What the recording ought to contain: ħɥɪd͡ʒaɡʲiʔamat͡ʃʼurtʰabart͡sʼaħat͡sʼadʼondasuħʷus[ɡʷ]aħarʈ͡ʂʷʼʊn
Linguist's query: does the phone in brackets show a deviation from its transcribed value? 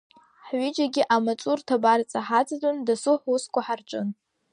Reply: yes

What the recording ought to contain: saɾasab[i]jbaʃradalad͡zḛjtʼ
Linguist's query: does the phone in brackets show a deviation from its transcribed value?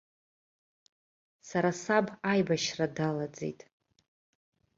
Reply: yes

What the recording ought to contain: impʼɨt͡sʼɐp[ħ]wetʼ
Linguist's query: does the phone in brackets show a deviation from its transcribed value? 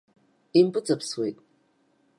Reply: yes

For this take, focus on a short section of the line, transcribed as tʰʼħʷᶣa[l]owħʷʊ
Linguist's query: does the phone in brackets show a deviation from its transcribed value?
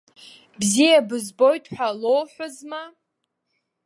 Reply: no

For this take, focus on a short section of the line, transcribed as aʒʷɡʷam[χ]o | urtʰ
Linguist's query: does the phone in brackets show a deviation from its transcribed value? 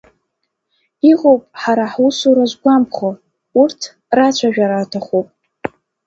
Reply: no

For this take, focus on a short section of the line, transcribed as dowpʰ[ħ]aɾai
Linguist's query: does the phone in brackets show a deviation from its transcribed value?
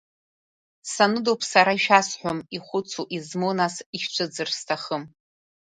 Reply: yes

